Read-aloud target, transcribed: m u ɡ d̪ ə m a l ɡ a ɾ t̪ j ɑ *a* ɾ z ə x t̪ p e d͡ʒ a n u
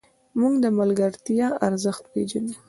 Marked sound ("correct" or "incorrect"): correct